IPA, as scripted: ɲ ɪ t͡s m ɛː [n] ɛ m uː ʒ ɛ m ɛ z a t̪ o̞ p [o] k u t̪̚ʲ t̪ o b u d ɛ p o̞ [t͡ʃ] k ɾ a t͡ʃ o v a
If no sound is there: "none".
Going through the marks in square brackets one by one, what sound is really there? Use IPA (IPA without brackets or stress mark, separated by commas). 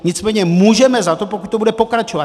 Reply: ɲ, o, none